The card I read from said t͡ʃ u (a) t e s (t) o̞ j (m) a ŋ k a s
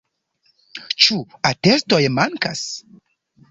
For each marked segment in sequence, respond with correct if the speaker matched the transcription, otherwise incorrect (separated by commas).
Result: correct, correct, correct